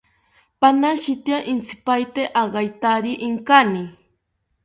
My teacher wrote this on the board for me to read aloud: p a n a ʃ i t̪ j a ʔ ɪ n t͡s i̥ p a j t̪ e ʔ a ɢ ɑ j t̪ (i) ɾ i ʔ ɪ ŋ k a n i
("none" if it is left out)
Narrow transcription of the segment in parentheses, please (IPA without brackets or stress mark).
a